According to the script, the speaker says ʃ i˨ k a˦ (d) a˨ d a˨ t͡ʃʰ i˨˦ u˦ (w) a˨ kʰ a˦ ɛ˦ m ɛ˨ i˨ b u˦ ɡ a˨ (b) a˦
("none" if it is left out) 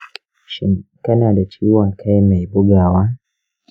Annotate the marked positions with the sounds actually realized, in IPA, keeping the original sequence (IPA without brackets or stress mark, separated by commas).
n, w, w